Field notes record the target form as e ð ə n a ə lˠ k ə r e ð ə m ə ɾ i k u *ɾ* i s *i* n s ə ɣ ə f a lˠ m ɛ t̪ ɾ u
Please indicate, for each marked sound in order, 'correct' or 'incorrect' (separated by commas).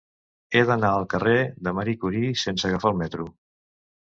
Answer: correct, incorrect